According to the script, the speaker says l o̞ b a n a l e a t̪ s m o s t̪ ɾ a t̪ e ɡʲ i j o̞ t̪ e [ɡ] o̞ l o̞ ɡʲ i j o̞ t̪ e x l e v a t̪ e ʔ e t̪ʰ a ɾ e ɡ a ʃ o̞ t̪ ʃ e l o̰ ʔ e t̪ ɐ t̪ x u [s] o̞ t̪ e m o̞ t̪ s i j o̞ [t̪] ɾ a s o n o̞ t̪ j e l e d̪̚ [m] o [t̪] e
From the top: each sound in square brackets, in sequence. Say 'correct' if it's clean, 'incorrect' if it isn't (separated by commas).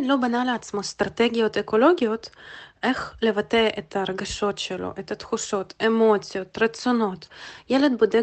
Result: incorrect, incorrect, correct, incorrect, incorrect